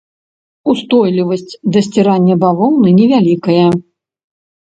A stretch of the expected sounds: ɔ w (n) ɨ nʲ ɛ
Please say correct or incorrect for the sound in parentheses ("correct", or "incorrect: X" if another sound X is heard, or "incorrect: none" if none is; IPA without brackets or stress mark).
correct